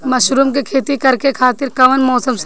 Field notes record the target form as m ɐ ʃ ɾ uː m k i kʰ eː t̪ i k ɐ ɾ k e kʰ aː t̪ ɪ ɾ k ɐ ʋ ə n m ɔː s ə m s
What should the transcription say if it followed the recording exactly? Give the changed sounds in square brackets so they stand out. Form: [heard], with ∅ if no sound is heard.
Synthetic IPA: m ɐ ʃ ɾ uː m k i kʰ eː t̪ i k ɐ ɾ k e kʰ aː t̪ ɪ ɾ k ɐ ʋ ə n m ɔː s ə m s